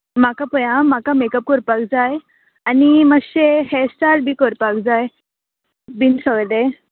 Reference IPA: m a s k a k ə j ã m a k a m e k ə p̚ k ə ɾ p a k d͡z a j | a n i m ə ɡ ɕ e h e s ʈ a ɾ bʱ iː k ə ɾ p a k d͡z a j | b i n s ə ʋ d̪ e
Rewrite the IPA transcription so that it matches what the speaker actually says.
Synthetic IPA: m a k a p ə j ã m a k a m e k ə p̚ k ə ɾ p a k d͡z a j | a n i m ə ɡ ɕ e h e s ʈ a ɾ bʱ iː k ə ɾ p a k d͡z a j | b i n s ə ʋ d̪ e